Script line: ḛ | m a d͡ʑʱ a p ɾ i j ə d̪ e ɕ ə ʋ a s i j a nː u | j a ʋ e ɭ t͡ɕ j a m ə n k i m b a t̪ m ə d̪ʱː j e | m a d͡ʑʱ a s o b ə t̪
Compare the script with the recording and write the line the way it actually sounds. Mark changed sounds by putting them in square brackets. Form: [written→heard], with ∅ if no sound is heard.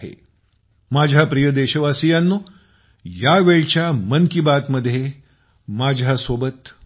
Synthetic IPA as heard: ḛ | m a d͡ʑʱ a p ɾ i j ə d̪ e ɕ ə ʋ a s i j a nː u | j a ʋ e ɭ t͡ɕ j a m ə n k i [m→∅] b a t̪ m ə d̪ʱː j e | m a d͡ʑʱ a s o b ə t̪